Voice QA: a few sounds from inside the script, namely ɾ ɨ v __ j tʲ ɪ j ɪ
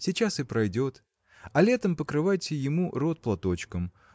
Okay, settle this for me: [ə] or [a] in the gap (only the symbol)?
a